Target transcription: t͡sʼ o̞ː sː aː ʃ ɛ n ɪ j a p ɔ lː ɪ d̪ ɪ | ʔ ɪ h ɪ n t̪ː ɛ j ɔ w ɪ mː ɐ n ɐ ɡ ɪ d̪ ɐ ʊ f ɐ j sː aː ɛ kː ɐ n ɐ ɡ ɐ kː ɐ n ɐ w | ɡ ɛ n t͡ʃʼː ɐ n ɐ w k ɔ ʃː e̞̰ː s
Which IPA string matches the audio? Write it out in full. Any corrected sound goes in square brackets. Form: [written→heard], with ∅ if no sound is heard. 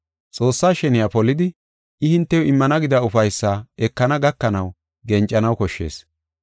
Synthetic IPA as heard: t͡sʼ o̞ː sː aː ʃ ɛ n ɪ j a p ɔ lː ɪ d̪ ɪ | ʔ ɪ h ɪ n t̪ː ɛ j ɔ [w→∅] ɪ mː ɐ n ɐ ɡ ɪ d̪ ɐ ʊ f ɐ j sː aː ɛ kː ɐ n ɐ ɡ ɐ kː ɐ n ɐ w | ɡ ɛ n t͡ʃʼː ɐ n ɐ w k ɔ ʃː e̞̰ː s